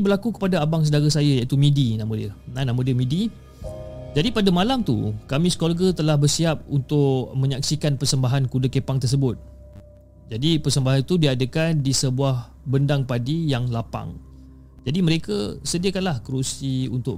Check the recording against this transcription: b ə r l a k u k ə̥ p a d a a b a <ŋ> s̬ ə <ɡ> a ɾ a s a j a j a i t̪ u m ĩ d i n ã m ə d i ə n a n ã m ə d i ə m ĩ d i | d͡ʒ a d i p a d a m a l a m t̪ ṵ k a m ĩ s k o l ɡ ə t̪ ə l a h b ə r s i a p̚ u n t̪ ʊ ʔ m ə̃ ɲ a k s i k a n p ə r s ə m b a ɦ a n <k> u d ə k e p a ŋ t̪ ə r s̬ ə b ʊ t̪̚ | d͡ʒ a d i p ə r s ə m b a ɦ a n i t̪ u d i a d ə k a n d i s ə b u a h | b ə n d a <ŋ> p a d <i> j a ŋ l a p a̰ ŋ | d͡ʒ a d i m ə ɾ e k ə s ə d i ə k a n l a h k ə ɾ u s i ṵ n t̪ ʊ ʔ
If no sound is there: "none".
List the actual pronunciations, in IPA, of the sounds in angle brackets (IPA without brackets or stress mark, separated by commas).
ŋ, d, k, ŋ, i